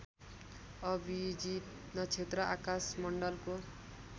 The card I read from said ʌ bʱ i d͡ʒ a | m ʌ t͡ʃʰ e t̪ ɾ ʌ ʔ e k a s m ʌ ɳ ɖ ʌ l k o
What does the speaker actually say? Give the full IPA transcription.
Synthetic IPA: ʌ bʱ i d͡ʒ i | n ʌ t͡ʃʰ e t̪ ɾ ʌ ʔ a k a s m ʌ ɳ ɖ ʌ l k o